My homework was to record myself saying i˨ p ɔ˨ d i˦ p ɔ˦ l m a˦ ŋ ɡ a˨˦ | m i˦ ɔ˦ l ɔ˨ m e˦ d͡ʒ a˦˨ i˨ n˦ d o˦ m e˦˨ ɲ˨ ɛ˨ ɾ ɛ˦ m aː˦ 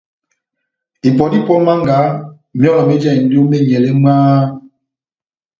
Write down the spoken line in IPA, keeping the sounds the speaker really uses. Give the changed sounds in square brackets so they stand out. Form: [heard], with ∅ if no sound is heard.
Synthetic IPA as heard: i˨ p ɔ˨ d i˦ p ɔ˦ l m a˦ ŋ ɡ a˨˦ | m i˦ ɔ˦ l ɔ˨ m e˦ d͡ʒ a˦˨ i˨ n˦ d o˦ m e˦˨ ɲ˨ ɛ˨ [l] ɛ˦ m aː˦